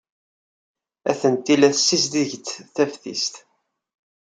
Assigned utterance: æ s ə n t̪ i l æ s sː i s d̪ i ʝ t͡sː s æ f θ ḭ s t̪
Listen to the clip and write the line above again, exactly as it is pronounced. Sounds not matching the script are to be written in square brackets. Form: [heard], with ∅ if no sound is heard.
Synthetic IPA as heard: æ [θ] ə n t̪ i l æ [θ] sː i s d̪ i ʝ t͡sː [θ] æ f θ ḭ s t̪